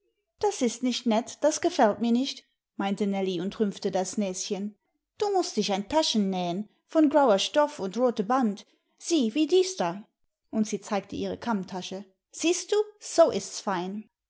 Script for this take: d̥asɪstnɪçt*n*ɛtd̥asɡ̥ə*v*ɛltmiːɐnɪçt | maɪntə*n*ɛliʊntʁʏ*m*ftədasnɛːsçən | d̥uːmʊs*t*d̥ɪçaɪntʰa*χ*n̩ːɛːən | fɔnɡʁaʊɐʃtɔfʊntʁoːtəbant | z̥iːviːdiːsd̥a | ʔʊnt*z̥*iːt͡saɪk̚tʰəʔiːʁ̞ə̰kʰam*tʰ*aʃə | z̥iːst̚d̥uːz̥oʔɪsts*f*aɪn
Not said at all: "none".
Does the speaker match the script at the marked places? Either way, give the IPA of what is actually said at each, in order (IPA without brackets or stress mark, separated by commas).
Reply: n, f, n, m, t, ʃ, z̥, tʰ, f